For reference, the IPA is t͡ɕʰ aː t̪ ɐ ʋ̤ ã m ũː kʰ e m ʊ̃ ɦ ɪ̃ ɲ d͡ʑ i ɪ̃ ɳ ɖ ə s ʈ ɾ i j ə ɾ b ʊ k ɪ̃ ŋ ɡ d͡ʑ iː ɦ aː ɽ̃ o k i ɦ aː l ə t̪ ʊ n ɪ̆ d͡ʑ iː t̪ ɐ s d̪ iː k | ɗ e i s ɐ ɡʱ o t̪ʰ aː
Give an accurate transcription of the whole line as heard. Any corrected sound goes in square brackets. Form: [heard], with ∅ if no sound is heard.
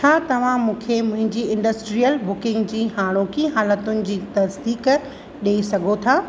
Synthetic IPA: t͡ɕʰ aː t̪ ɐ ʋ̤ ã m ũː kʰ e m ʊ̃ ɦ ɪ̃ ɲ d͡ʑ i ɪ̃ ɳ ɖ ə s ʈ ɾ i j ə [l] b ʊ k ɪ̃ ŋ ɡ d͡ʑ iː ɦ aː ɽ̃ o k i ɦ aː l ə t̪ ʊ n ɪ̆ d͡ʑ iː t̪ ɐ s d̪ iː k | ɗ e i s ɐ ɡʱ o t̪ʰ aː